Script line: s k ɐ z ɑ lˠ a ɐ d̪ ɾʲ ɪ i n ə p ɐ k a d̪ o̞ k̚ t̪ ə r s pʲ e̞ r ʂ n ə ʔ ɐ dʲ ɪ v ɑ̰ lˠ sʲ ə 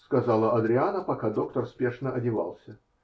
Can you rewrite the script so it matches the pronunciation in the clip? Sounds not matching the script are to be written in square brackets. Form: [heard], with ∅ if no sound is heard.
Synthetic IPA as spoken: s k ɐ z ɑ lˠ [ə] ɐ d̪ ɾʲ ɪ [a] n ə p ɐ k a d̪ o̞ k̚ t̪ ə r s pʲ e̞ [∅] ʂ n ə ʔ ɐ dʲ ɪ v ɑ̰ lˠ sʲ ə